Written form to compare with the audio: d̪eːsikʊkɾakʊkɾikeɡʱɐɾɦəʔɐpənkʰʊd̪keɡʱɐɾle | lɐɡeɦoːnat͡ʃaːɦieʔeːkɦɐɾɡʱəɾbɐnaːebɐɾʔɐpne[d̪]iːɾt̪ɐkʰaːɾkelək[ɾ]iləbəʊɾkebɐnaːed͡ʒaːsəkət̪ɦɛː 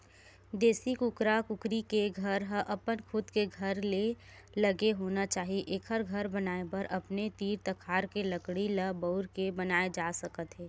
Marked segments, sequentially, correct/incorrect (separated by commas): incorrect, incorrect